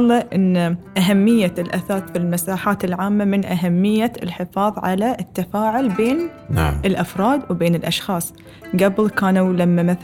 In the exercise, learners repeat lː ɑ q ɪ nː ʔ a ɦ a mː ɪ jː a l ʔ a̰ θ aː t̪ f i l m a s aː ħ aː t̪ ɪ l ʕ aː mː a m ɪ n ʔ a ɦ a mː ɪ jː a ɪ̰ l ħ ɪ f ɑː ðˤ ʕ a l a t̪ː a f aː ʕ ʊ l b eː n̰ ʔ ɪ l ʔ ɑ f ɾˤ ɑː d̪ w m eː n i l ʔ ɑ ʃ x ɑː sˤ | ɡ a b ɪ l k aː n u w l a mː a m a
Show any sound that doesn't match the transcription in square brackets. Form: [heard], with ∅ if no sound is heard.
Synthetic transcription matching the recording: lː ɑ [ʔ] ɪ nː ʔ a ɦ a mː ɪ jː a l ʔ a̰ θ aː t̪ f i l m a s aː ħ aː t̪ ɪ l ʕ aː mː a m ɪ n ʔ a ɦ a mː ɪ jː a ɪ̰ l ħ ɪ f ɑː ðˤ ʕ a l a t̪ː a f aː ʕ ʊ l b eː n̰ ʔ ɪ l ʔ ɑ f ɾˤ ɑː d̪ w [b] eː n [ɪ] l ʔ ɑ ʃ x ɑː sˤ | ɡ a b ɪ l k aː n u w l a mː a m a